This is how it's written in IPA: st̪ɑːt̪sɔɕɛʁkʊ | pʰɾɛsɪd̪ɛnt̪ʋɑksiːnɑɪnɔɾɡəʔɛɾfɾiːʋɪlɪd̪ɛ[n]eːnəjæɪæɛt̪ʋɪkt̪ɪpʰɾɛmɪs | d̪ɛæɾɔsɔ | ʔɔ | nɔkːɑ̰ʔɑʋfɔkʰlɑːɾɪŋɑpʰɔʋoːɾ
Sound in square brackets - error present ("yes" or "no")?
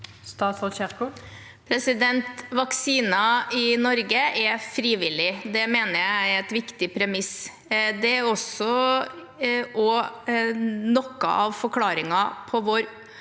yes